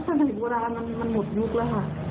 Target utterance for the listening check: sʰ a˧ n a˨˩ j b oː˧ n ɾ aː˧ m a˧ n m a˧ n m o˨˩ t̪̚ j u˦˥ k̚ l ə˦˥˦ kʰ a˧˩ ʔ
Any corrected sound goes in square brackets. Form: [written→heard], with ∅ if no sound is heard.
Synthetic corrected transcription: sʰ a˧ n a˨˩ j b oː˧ [n→∅] ɾ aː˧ m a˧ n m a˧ n m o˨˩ t̪̚ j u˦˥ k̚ l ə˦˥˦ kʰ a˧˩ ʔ